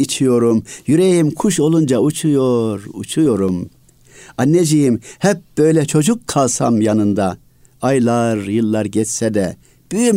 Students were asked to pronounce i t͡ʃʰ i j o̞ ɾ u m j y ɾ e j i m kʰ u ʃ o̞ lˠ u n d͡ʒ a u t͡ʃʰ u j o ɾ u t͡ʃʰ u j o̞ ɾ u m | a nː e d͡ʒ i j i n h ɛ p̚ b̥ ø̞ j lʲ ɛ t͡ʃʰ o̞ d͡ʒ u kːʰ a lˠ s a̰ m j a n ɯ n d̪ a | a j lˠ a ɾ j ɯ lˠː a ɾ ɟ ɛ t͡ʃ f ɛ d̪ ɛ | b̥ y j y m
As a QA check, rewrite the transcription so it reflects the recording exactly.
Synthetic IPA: i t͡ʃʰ i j o̞ ɾ u m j y ɾ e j i m kʰ u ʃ o̞ lˠ u n d͡ʒ a u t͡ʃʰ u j o ɾ u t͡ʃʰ u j o̞ ɾ u m | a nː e d͡ʒ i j i m h ɛ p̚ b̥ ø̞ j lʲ ɛ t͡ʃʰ o̞ d͡ʒ u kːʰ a lˠ s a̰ m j a n ɯ n d̪ a | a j lˠ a ɾ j ɯ lˠː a ɾ ɟ ɛ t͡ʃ s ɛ d̪ ɛ | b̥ y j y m